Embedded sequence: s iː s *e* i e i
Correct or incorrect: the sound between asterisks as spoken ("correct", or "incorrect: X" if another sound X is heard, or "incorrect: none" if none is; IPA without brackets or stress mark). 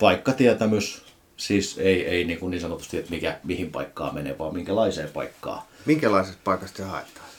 correct